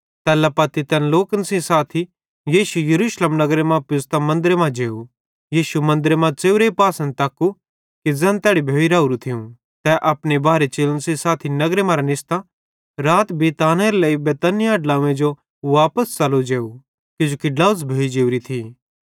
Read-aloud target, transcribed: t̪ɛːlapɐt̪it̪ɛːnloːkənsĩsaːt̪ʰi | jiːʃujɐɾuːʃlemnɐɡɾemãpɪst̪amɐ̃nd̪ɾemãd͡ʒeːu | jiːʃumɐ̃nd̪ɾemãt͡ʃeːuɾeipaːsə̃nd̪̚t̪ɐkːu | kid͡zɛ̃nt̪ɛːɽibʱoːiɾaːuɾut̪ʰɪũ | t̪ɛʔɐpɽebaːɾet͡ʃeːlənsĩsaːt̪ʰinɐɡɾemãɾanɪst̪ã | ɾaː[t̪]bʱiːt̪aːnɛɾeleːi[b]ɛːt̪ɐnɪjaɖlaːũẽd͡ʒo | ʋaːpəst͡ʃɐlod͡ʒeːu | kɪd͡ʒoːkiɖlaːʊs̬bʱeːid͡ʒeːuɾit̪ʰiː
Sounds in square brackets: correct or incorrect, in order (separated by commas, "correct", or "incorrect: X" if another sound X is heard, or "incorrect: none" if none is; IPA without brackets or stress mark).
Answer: correct, correct